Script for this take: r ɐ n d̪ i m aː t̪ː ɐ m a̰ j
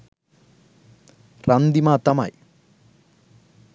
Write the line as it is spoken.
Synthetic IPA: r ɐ n d̪ i m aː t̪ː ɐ m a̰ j